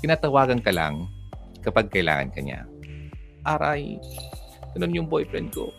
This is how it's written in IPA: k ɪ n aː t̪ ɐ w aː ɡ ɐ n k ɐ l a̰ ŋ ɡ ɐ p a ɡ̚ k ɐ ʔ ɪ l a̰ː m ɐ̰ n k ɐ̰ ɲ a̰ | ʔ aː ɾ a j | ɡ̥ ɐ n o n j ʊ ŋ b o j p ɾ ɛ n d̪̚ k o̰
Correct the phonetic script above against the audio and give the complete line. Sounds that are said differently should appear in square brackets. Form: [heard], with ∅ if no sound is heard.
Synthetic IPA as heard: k ɪ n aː t̪ ɐ w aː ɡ ɐ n k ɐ l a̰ ŋ [k] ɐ p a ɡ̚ k ɐ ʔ ɪ l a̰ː [ŋ] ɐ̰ n k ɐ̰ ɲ a̰ | ʔ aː ɾ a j | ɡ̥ ɐ n o n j ʊ ŋ b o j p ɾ ɛ n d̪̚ k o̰